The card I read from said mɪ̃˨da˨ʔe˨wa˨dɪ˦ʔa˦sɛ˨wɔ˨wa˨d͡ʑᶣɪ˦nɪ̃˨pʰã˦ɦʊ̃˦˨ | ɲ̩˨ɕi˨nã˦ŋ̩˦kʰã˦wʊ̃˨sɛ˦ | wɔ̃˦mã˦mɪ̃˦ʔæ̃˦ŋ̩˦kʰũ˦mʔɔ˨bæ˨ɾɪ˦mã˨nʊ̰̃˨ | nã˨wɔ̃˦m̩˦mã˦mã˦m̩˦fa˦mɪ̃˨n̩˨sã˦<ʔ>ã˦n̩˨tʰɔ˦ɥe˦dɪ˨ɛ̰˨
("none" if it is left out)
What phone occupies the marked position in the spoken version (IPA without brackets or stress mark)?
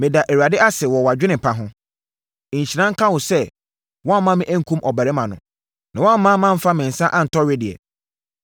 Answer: ʔ